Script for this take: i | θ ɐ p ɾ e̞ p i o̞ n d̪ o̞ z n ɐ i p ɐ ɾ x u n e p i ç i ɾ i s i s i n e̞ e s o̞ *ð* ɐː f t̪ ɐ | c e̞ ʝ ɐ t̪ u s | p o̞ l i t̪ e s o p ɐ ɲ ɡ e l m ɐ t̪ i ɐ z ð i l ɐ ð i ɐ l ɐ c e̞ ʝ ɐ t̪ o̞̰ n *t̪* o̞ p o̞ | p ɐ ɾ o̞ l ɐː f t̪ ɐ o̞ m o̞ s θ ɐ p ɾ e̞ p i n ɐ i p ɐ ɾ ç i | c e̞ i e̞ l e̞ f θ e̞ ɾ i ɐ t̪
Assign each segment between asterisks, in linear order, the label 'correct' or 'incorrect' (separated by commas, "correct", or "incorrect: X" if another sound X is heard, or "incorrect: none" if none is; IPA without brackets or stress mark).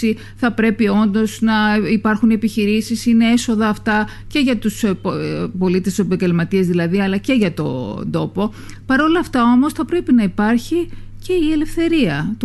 correct, incorrect: d̪